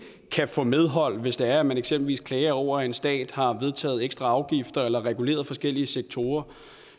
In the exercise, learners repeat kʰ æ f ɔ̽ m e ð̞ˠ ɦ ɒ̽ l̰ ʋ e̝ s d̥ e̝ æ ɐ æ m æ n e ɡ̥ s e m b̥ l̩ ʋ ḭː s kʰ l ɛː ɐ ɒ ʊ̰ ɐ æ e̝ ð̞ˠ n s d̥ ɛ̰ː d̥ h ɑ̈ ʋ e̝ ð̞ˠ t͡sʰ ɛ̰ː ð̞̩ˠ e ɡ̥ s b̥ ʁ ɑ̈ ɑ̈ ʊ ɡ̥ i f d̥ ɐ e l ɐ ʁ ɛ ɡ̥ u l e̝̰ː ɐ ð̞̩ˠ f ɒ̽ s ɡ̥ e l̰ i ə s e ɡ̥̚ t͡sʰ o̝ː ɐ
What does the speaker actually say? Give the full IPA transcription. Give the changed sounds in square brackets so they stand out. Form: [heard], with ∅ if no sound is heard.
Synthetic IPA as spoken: kʰ æ f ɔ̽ m e ð̞ˠ ɦ ɒ̽ l̰ ʋ e̝ s d̥ e̝ æ ɐ æ m æ n e ɡ̥ s e m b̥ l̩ ʋ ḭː s kʰ l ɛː ɐ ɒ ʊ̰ ɐ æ e̝ [∅] n s d̥ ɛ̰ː d̥ h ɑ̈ ʋ e̝ ð̞ˠ t͡sʰ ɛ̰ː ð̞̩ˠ e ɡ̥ s [d̥] ʁ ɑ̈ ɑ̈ ʊ ɡ̥ i f d̥ ɐ e l ɐ ʁ ɛ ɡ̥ u l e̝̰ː ɐ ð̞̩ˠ f ɒ̽ s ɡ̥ e l̰ i ə s e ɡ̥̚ t͡sʰ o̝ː ɐ